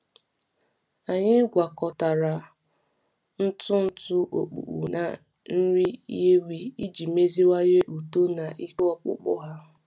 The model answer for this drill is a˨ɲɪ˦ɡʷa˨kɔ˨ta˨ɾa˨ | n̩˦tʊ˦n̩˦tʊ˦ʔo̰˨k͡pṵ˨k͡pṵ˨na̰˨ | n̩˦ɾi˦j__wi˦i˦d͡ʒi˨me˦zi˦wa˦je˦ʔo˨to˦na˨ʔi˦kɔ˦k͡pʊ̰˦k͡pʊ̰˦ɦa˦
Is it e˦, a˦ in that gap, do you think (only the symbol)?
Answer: e˦